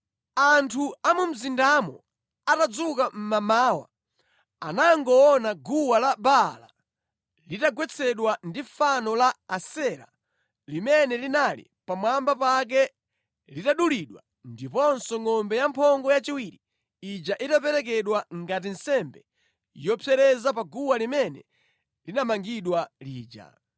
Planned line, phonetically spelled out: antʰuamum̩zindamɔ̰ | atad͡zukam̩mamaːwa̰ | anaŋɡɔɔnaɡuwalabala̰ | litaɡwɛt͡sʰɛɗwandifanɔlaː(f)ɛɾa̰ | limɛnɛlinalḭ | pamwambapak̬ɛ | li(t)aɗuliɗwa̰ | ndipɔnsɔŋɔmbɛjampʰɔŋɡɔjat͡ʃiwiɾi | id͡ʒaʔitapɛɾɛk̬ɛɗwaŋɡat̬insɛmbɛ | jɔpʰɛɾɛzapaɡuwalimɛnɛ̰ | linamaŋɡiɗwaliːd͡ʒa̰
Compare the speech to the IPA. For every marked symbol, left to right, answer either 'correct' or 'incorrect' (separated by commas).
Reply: incorrect, correct